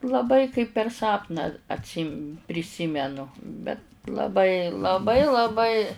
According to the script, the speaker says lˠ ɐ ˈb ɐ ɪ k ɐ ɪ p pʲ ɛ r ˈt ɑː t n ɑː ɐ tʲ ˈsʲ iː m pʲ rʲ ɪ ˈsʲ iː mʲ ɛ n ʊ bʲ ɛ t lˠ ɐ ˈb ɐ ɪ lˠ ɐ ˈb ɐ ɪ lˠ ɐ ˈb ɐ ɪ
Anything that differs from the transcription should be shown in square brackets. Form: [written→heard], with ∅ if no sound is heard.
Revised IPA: lˠ ɐ ˈb ɐ ɪ k ɐ ɪ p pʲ ɛ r [ˈt→ˈs] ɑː [t→p] n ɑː ɐ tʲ ˈsʲ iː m pʲ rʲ ɪ ˈsʲ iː mʲ ɛ n ʊ bʲ ɛ t lˠ ɐ ˈb ɐ ɪ lˠ ɐ ˈb ɐ ɪ lˠ ɐ ˈb ɐ ɪ